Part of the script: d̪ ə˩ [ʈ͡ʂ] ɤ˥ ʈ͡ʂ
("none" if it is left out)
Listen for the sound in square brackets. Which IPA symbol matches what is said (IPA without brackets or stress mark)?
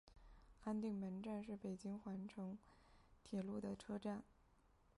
ʈ͡ʂʰ